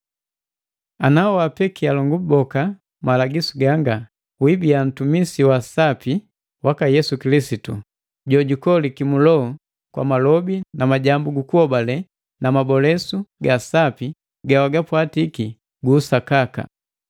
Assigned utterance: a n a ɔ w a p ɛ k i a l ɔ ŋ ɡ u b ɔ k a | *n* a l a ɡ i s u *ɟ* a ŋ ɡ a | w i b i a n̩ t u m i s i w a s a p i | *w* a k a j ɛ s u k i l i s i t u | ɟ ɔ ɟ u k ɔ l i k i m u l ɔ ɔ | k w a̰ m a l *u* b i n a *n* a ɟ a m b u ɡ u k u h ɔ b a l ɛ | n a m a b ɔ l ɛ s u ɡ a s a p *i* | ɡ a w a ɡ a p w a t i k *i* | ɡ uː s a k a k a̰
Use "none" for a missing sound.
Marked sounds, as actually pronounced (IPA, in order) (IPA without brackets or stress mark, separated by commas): m, ɡ, w, ɔ, m, i, i